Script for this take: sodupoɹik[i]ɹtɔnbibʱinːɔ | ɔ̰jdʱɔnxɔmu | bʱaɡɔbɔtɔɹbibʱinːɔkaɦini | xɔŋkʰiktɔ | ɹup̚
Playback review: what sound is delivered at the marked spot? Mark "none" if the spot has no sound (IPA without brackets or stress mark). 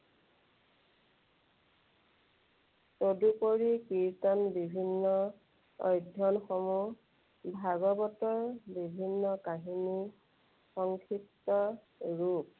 i